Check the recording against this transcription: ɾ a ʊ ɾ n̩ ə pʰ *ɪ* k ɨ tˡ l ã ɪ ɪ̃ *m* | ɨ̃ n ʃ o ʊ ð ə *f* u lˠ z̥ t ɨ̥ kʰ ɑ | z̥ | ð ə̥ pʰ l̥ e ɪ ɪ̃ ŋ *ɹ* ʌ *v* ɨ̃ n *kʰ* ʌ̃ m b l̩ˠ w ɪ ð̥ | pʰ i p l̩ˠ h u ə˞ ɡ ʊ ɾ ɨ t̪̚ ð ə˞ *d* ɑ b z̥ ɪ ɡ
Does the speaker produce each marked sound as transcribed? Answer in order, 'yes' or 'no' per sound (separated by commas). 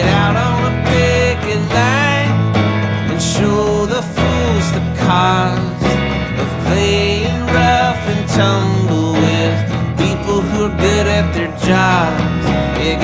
yes, no, yes, yes, no, no, no